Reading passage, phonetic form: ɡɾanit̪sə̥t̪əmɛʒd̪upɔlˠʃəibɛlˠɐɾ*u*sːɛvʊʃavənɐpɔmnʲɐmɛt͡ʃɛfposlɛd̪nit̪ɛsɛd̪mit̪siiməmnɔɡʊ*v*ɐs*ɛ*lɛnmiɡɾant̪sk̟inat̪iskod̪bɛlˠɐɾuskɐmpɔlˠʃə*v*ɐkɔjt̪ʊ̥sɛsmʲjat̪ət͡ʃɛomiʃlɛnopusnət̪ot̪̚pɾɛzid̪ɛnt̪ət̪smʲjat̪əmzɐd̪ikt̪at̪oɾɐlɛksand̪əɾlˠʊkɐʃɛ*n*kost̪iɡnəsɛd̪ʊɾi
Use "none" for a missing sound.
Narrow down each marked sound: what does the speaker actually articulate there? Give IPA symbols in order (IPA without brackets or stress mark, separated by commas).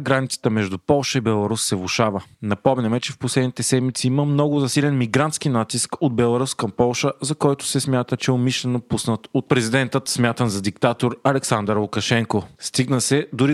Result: u, z, i, z, ŋ